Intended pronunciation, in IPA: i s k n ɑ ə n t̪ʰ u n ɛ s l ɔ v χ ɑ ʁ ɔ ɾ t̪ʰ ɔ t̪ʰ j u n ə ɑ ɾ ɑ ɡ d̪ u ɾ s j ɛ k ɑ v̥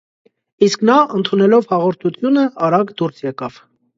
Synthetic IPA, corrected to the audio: i s k n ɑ ə n t̪ʰ u n ɛ l ɔ v h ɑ ʁ ɔ ɾ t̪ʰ u t̪ʰ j u n ə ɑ ɾ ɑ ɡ d̪ u ɾ s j ɛ k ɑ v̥